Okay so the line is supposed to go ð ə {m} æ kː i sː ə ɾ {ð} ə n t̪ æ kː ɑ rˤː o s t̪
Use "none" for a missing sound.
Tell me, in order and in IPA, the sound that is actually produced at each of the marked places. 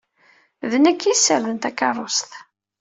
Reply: n, ð

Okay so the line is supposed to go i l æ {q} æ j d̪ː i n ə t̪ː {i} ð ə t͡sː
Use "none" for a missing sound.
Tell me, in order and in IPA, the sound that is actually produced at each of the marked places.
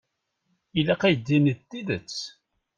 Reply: q, i

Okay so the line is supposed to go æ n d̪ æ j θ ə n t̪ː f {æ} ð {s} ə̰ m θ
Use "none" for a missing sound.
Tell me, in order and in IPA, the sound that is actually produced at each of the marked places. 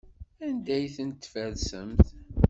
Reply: æ, s

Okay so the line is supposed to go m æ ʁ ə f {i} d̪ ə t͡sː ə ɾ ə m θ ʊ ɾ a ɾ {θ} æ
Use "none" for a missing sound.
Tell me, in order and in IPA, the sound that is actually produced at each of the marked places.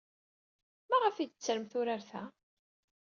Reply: i, θ

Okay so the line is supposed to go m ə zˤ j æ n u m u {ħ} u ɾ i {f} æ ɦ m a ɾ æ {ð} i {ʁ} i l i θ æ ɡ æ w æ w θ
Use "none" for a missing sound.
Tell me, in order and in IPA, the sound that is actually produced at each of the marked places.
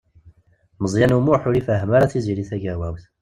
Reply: ħ, f, θ, z

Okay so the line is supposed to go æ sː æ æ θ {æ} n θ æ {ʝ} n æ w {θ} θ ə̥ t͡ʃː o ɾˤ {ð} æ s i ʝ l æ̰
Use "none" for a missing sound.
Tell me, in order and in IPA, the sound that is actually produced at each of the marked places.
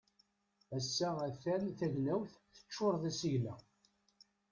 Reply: æ, ʝ, θ, ð

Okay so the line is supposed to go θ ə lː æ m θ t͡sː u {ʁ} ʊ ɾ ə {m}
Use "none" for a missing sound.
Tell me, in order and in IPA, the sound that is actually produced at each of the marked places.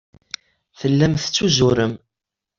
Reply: z, m

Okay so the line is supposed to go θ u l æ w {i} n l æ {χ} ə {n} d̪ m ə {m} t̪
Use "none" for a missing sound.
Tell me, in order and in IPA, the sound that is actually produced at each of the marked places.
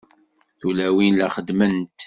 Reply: i, χ, none, n

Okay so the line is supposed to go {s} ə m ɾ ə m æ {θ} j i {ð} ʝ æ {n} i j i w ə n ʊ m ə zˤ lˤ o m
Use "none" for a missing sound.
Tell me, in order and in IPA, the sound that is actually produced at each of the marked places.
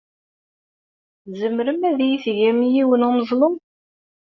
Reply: z, ð, θ, m

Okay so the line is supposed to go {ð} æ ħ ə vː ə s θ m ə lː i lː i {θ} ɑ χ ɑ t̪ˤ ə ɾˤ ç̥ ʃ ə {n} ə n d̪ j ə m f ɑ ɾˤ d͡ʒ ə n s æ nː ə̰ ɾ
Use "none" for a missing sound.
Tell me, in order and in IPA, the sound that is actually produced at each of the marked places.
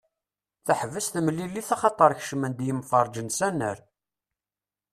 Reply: θ, θ, m

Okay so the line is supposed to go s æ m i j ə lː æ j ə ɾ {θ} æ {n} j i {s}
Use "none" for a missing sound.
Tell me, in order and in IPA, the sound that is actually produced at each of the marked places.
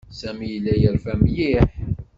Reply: f, m, ħ

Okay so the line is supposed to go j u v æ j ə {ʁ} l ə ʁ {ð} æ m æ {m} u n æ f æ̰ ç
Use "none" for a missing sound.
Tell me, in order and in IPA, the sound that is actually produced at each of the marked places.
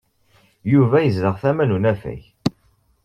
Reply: z, θ, n

